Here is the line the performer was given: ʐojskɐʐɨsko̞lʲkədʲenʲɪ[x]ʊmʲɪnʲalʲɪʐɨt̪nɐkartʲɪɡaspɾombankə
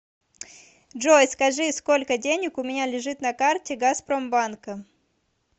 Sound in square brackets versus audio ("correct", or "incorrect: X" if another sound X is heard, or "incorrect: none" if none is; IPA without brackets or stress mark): incorrect: k